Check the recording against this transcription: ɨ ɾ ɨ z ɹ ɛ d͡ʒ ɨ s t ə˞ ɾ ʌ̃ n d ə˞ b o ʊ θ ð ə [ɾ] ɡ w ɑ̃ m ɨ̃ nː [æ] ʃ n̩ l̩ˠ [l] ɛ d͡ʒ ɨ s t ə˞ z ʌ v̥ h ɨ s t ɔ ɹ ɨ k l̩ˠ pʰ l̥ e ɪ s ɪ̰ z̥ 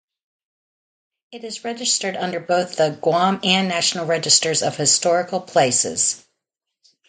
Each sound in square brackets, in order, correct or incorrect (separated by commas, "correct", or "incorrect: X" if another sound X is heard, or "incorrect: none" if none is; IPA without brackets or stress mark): incorrect: none, correct, incorrect: ɹ